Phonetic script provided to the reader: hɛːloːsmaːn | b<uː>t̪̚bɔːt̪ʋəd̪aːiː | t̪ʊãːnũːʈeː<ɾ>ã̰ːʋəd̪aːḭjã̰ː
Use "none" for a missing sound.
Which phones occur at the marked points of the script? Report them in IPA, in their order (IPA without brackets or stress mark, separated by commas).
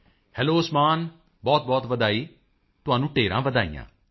ɔː, ɾ